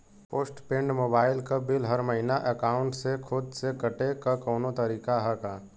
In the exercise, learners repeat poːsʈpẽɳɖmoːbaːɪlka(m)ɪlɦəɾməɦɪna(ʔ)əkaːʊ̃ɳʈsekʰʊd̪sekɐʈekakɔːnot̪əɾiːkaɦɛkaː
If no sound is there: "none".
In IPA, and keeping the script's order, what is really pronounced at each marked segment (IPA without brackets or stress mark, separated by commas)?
b, ʔ